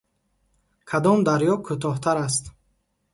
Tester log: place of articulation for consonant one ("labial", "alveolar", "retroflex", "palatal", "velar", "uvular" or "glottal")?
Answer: velar